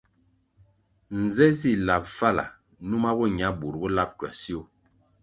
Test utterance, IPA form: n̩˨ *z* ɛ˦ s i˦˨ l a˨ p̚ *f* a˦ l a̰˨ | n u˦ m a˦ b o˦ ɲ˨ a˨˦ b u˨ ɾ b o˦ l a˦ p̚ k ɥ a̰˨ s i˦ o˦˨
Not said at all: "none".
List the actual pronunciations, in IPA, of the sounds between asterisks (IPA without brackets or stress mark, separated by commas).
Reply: z, f